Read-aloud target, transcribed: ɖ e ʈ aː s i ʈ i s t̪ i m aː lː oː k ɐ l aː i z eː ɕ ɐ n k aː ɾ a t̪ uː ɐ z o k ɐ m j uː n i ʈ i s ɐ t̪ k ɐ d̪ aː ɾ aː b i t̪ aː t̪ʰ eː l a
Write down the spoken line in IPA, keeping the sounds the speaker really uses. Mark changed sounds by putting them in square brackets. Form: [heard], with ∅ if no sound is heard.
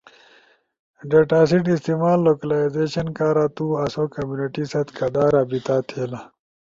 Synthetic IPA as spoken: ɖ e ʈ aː s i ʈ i s t̪ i m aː lː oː k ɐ l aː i z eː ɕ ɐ n k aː ɾ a t̪ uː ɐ [s] o k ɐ m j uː n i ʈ i s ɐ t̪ k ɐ d̪ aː ɾ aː b i t̪ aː t̪ʰ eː l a